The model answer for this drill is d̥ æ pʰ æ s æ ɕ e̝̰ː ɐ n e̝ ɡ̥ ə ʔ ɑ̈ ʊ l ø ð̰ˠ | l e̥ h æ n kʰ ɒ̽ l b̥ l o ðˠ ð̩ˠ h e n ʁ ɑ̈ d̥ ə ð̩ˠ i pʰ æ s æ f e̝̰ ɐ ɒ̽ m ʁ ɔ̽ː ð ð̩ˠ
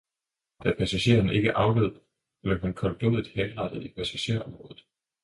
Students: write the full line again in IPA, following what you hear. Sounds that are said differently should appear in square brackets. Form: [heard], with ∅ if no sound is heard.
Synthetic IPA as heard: d̥ æ pʰ æ s æ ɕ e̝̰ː ɐ n e̝ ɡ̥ ə ʔ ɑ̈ ʊ l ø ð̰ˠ | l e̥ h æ n kʰ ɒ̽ l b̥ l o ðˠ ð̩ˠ h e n ʁ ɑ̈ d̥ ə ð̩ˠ i pʰ æ s æ [ɕ] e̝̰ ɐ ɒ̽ m ʁ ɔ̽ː ð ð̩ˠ

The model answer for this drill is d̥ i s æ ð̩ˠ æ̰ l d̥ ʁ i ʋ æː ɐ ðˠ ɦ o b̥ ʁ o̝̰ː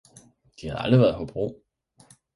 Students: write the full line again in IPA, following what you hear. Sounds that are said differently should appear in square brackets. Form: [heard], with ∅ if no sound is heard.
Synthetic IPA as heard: d̥ i [h] æ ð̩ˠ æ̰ l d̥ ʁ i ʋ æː ɐ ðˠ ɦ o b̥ ʁ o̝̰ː

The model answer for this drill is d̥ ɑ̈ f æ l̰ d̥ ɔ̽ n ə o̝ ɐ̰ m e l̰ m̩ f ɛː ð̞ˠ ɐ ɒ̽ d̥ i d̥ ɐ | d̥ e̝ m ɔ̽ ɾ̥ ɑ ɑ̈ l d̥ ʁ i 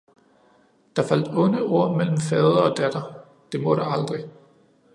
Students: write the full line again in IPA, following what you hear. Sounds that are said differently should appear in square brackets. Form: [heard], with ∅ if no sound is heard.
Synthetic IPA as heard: d̥ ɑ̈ f æ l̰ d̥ ɔ̽ n ə o̝ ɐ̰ m e l̰ m̩ f ɛː ð̞ˠ ɐ ɒ̽ d̥ [æ] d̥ ɐ | d̥ e̝ m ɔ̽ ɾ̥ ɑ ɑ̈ l d̥ ʁ i

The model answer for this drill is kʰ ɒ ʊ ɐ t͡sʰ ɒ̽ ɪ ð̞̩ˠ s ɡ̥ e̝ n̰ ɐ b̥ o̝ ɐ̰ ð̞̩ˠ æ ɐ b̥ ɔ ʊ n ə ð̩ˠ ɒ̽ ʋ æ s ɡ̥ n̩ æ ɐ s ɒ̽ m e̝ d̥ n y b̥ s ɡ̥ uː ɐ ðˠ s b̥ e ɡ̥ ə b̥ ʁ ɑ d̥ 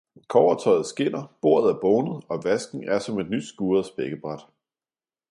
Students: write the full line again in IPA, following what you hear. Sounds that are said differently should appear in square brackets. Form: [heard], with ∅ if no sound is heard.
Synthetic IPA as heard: kʰ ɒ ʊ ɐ t͡sʰ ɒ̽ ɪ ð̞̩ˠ s ɡ̥ e̝ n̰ ɐ b̥ o̝ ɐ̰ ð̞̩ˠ æ ɐ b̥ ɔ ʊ n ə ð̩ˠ ɒ̽ ʋ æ s ɡ̥ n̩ æ ɐ s ɒ̽ m e̝ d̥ n y [d̥] s ɡ̥ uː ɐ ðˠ s b̥ e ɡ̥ ə b̥ ʁ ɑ d̥

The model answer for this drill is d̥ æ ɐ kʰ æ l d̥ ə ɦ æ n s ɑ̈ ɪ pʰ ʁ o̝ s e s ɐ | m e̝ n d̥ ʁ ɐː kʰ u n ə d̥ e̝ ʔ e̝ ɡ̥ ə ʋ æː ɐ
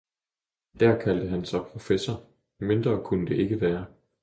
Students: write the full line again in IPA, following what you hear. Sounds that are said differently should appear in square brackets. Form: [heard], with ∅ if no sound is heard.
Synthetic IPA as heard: d̥ æ ɐ kʰ æ l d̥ ə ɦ æ n s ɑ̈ ɪ pʰ ʁ o̝ [f] e s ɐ | m e̝ n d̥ ʁ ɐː kʰ u n ə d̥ e̝ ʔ e̝ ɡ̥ ə ʋ æː ɐ

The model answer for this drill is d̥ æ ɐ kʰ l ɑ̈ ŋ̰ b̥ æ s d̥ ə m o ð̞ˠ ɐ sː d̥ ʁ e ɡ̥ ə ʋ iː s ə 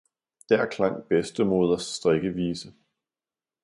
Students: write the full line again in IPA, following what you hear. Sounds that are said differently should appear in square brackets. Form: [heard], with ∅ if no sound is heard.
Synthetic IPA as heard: d̥ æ ɐ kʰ l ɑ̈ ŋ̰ b̥ [e] s d̥ ə m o ð̞ˠ ɐ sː d̥ ʁ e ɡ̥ ə ʋ iː s ə

